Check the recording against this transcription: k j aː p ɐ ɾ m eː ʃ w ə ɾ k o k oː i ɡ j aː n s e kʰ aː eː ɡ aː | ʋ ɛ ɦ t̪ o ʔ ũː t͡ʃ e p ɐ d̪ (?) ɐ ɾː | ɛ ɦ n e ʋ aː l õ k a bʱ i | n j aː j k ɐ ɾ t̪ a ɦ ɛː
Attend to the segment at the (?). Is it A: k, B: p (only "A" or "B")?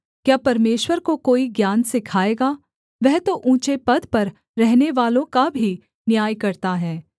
B